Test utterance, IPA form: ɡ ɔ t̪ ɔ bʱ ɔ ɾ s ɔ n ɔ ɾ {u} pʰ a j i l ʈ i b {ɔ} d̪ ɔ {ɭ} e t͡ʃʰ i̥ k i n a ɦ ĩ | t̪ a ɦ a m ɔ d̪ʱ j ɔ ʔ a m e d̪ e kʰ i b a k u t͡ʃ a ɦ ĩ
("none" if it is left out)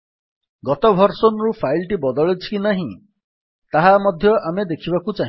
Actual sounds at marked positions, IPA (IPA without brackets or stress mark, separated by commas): u, ɔ, ɭ